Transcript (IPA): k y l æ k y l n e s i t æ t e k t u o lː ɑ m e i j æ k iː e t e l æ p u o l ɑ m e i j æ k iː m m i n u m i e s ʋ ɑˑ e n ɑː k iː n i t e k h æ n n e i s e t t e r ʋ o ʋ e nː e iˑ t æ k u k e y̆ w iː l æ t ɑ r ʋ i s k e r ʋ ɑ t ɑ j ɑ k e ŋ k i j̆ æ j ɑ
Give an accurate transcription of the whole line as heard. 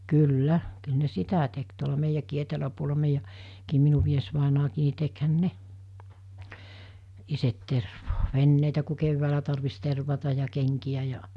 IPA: k y lː æ k y l n e s i t æ t e k t u o l ɑ m e i j æ k iː e t e l æ p u o l ɑ m e i j æ k iː m m i n u m i e s ʋ ɑˑ e n ɑː k iː n i t e k h æ n n e i s e t t e r ʋ oː ʋ e nː e iˑ t æ k u k e y̆ w æː l æ t ɑ r ʋ i s t e r ʋ ɑ t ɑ j ɑ k e ŋ k i j̆ æ j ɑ

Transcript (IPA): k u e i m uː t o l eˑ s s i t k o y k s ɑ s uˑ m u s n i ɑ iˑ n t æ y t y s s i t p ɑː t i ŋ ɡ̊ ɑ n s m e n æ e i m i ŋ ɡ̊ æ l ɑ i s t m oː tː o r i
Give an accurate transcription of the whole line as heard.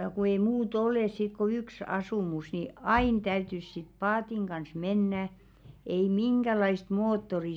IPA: k u e i m uː t o l eˑ s s i t k o y k s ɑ s uˑ m u s n i ɑ iˑ n t æ y t y s s i t p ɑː t i ŋ ɡ̊ ɑ n s m e nː æ e i m i ŋ ɡ̊ æ l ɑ i s t m oː tː o r i

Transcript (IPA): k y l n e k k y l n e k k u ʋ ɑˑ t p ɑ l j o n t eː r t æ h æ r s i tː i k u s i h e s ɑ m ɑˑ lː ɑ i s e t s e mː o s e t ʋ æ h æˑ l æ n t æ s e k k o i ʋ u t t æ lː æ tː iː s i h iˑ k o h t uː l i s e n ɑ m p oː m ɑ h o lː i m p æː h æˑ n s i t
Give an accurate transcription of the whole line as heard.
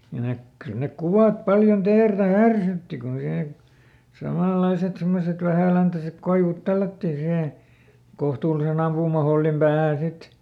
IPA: k y l n e k k y l n e k k u ʋ ɑˑ t p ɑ l j o n t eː r t æ h æ r s y tː i k u s i h e s ɑ m ɑˑ lː ɑ i s e t s e mː o s e t ʋ æ h æˑ l æ n t æ s e k k o i ʋ u t t æ lː æ tː iː s i h eˑ k o h t uː l i s e n ɑ m p uː m ɑ h o lː i m p æː h æˑ n s i t

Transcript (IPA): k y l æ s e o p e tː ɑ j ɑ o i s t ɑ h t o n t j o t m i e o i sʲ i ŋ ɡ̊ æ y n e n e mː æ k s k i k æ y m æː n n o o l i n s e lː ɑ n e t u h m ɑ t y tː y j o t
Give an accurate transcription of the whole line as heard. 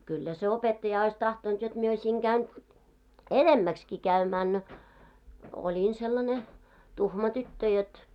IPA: k y lː æ s e o p e tː ɑ j ɑ o i s t ɑ h t o n t j o t m i e o i sʲ i ŋ ɡ̊ æ y n e n e mː æ k s k i k æ y m æː n n o o l i n s e lː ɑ n e t u h m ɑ t y tː ø j o t

